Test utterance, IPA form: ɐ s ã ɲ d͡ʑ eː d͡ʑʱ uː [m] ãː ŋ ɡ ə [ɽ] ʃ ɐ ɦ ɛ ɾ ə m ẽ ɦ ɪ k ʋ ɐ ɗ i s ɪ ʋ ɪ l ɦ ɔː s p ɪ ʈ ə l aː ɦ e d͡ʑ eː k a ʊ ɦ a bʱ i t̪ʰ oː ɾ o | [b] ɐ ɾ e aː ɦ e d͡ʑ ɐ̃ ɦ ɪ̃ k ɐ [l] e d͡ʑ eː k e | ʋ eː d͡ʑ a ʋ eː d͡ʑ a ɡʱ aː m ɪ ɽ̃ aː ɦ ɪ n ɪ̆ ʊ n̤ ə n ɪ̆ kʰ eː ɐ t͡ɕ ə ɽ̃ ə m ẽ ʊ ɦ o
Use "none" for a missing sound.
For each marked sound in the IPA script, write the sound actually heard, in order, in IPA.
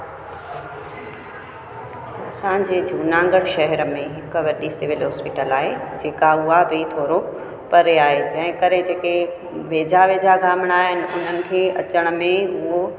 n, ɽ, p, ɾ

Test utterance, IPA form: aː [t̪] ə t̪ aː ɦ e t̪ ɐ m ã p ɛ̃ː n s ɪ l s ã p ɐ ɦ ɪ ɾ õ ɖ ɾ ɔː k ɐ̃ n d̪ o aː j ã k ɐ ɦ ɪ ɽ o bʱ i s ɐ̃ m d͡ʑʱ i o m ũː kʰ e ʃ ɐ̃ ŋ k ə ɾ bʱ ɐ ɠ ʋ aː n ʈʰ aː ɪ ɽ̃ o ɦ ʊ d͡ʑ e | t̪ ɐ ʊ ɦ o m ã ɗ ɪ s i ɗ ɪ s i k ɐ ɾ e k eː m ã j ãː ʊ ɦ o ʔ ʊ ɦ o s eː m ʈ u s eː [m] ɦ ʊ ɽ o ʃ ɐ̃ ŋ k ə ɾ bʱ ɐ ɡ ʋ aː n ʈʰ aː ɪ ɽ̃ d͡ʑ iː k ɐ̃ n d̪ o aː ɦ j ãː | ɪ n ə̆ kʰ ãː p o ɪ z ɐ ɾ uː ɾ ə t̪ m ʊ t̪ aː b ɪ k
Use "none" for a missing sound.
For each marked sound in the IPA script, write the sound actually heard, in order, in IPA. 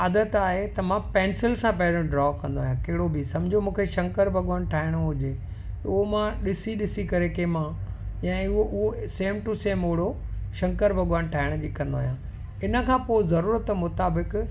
d̪, m

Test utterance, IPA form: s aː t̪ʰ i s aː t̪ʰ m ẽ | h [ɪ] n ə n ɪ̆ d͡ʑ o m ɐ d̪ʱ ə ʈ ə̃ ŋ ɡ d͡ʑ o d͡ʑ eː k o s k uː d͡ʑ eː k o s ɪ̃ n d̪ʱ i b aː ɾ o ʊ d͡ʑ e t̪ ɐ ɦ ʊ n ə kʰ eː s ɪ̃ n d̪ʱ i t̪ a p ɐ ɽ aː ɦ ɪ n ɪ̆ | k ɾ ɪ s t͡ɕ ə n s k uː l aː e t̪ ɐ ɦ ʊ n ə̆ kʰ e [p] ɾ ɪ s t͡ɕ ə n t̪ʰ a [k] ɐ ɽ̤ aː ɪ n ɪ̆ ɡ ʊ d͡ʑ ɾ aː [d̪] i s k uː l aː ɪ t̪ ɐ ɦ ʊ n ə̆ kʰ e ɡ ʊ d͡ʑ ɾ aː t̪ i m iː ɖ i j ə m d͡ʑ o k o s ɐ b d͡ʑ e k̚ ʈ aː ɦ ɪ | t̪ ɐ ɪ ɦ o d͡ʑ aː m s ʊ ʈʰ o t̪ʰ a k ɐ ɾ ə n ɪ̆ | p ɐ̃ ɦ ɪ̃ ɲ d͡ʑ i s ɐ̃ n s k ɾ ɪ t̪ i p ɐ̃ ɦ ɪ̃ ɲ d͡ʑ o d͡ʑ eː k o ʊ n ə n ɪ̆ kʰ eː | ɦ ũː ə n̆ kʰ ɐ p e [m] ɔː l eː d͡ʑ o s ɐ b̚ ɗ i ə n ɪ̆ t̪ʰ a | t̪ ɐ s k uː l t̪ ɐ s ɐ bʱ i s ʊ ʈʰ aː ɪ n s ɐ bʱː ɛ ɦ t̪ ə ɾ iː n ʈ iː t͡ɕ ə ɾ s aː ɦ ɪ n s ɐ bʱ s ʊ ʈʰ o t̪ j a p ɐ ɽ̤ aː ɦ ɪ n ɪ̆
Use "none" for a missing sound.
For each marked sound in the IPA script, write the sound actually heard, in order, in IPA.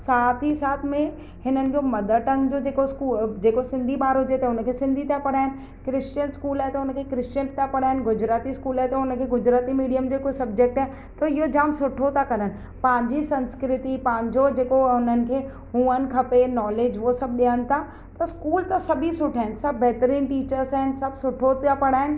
ɪ, k, p, t̪, n

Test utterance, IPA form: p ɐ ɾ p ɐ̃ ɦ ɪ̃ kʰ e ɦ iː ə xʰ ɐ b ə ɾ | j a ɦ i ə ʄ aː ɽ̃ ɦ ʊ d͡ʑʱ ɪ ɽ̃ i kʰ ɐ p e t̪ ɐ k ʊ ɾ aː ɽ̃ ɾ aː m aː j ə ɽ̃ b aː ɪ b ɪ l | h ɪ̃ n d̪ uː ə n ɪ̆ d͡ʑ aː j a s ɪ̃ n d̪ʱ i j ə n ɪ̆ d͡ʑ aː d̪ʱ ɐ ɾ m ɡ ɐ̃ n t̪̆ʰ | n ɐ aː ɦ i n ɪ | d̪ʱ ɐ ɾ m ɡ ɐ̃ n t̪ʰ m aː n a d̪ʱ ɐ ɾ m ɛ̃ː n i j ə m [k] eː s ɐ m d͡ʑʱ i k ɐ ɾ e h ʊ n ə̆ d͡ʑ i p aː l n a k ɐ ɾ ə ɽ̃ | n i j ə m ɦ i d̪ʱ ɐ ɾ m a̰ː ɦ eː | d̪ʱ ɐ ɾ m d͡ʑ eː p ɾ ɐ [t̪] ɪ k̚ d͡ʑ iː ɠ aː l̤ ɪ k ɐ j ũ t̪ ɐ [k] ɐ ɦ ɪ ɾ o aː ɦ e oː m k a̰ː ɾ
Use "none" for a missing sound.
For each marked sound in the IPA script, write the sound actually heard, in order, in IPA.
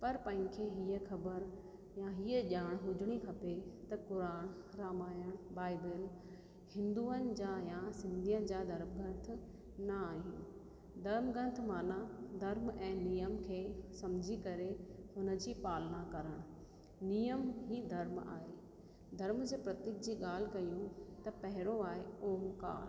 kʰ, t̪, p

